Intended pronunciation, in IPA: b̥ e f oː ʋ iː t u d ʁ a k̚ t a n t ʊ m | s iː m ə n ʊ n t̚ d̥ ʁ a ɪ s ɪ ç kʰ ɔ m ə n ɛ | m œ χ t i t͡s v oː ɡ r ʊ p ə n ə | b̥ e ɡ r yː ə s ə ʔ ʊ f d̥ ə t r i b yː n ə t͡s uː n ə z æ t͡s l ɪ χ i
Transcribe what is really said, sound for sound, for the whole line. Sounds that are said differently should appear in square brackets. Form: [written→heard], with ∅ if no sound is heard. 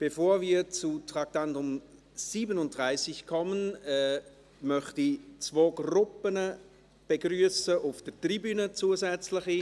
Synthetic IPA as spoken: b̥ e f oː [ʋ→v] iː [t→t͡s] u [d→t] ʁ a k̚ t a n t ʊ m | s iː [m→b] ə n ʊ n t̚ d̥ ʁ a ɪ s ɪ ç kʰ ɔ m ə n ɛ | m œ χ t i t͡s v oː ɡ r ʊ p ə n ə | b̥ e ɡ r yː ə s ə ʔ ʊ f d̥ ə t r i b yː n ə t͡s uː [n→∅] ə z [æ→ɛ] t͡s l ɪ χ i

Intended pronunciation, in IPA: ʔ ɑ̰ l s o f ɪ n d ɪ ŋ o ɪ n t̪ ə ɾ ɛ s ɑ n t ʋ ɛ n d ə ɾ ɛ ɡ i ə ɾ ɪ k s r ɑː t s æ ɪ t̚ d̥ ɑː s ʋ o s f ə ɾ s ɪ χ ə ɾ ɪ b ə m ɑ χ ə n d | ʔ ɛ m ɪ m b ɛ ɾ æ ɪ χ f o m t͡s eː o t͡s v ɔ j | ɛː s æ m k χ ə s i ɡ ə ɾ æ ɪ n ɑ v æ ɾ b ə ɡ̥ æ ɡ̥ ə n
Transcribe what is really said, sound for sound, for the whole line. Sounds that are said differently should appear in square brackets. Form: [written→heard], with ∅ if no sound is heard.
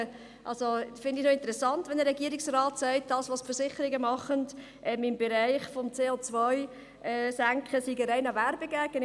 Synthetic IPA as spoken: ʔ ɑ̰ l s o f ɪ n d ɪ [ŋ→n] o ɪ n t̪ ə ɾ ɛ s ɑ n t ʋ ɛ n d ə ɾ ɛ ɡ i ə ɾ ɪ k s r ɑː t s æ ɪ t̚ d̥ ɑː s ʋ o s f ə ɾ s ɪ χ ə ɾ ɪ [b→ɡ] ə m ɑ χ ə n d | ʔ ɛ m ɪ m b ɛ ɾ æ ɪ χ f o m t͡s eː o t͡s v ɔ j | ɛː s æ [m→ŋ] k χ ə s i ɡ ə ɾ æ ɪ n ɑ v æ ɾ b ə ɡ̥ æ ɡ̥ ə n

